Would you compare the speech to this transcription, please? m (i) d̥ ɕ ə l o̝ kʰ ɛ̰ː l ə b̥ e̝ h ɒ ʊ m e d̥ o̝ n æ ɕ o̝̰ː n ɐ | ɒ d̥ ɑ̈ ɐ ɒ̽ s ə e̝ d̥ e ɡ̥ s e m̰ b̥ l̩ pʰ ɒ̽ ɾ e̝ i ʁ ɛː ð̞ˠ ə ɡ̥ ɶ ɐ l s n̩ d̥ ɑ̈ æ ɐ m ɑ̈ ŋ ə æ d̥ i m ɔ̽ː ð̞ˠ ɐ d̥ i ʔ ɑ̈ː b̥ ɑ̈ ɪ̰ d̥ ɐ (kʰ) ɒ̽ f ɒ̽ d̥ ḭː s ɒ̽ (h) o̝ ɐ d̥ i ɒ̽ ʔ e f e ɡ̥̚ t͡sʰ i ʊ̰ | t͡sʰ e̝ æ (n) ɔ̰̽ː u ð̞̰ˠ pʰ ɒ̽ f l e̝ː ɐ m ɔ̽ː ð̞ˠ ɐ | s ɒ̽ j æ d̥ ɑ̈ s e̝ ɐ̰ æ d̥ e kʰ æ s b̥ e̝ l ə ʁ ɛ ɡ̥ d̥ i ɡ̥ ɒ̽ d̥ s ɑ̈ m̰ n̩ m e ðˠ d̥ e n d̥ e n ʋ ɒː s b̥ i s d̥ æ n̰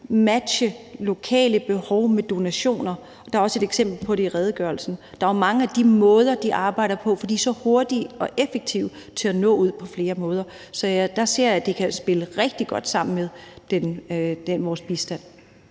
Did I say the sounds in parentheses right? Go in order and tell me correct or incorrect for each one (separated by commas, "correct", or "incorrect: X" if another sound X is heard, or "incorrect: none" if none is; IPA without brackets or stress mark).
incorrect: æ, incorrect: pʰ, correct, correct